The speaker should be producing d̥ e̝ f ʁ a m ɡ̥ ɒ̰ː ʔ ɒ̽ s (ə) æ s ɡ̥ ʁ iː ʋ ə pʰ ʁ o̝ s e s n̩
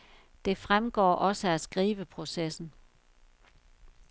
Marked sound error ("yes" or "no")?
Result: no